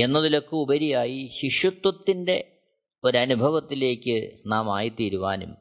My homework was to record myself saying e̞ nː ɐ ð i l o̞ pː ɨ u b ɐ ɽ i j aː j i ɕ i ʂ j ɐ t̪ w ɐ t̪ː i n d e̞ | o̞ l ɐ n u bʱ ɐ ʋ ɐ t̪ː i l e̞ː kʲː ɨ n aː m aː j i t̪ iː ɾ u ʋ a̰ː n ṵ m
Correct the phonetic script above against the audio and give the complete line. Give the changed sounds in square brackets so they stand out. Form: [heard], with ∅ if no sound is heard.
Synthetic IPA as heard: e̞ nː ɐ ð i l o̞ [kː] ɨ u b ɐ [ɾ] i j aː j i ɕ i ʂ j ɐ t̪ w ɐ t̪ː i n d e̞ | o̞ [ɾ] ɐ n u bʱ ɐ ʋ ɐ t̪ː i l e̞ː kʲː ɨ n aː m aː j i t̪ iː ɾ u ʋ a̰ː n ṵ m